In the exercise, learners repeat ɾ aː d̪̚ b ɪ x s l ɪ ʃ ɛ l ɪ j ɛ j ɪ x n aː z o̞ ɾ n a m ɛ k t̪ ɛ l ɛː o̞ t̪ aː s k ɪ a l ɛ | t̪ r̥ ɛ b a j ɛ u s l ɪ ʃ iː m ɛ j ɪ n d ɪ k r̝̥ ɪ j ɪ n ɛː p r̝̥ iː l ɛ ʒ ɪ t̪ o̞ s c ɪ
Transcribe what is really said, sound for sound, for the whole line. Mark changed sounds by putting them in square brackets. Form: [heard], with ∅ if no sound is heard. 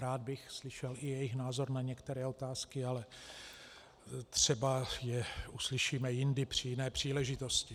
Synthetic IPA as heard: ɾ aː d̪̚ b ɪ x s l ɪ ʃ ɛ l ɪ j ɛ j ɪ x n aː z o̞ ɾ n a [ɲ] ɛ k t̪ ɛ [ɾ] ɛː o̞ t̪ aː s k ɪ a l ɛ | t̪ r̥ ɛ b a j ɛ u s l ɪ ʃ iː m ɛ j ɪ n d ɪ [p] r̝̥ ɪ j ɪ n ɛː p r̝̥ iː l ɛ ʒ ɪ t̪ o̞ s c ɪ